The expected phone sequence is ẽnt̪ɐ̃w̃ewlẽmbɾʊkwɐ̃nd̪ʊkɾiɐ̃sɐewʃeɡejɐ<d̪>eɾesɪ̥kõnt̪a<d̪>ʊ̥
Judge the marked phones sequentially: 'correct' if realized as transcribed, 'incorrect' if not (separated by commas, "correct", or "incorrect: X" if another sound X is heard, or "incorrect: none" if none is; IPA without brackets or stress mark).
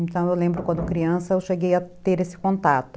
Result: incorrect: t̪, incorrect: t̪